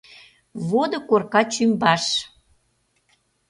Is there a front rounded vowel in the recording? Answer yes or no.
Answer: yes